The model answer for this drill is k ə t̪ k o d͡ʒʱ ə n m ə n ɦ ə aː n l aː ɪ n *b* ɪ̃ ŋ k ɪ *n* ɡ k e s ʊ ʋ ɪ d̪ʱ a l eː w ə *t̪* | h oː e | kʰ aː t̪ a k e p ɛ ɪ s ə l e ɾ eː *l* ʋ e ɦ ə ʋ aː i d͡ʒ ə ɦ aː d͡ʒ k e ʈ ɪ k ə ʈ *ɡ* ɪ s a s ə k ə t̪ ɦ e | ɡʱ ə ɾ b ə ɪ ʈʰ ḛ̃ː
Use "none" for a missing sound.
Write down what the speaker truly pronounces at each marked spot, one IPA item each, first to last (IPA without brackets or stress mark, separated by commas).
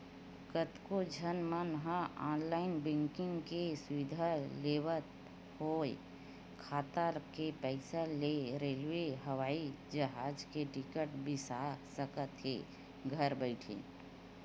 b, ŋ, t̪, l, b